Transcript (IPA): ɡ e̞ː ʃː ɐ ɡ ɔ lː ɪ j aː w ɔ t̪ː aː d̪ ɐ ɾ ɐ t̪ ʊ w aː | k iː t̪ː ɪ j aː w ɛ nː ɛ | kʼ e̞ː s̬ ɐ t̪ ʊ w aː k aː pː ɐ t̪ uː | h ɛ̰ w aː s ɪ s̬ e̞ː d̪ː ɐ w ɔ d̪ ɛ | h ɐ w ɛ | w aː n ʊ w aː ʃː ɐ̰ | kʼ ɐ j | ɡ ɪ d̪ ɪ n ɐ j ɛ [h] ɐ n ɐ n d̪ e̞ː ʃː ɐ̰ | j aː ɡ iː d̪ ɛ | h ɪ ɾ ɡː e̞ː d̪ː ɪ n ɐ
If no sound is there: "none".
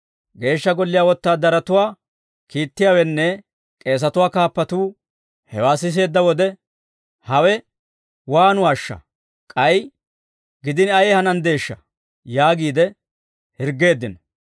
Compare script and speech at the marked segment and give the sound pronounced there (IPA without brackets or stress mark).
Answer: h